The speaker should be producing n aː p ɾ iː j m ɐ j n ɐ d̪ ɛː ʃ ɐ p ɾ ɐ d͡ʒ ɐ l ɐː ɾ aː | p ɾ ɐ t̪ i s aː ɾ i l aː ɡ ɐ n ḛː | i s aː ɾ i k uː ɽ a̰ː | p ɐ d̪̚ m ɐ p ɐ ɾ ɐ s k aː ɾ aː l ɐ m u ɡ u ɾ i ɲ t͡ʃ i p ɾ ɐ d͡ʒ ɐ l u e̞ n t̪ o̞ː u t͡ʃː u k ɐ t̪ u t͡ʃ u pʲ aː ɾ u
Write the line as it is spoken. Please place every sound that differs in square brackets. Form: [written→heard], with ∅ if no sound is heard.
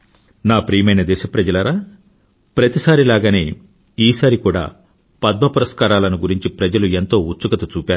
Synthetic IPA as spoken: n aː p ɾ iː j m ɐ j n ɐ d̪ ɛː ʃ ɐ p ɾ ɐ d͡ʒ ɐ l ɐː ɾ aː | p ɾ ɐ t̪ i s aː ɾ i l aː ɡ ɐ n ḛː | [i→iː] s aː ɾ i k uː ɽ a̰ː | p ɐ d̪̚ m ɐ p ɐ ɾ ɐ s k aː ɾ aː l ɐ [m→n] u ɡ u ɾ i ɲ t͡ʃ i p ɾ ɐ d͡ʒ ɐ l u e̞ n t̪ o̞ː u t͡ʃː u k ɐ t̪ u t͡ʃ [u→uː] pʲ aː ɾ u